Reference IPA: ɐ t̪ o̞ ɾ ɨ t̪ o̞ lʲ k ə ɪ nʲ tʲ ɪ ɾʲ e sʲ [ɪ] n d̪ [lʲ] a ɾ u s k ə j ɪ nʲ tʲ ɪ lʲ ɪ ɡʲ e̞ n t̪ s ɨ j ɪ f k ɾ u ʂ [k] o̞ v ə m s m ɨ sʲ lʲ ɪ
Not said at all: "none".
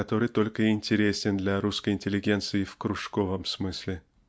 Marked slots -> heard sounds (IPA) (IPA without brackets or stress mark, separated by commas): ɪ, lʲ, k